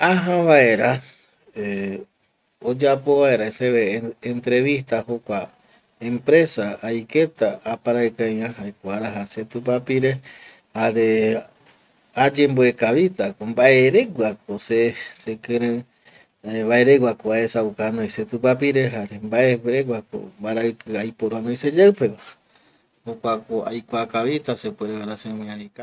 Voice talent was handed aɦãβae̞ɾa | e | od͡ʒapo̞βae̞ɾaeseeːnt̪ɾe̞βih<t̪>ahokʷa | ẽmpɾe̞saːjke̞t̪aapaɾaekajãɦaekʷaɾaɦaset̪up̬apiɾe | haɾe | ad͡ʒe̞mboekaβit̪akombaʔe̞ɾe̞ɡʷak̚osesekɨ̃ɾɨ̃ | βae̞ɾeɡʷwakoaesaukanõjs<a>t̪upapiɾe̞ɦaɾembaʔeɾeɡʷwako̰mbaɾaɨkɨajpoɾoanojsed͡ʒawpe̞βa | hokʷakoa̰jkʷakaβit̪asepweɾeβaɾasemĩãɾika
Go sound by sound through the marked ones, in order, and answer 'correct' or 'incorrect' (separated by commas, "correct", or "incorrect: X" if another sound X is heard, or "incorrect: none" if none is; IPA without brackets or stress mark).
correct, incorrect: e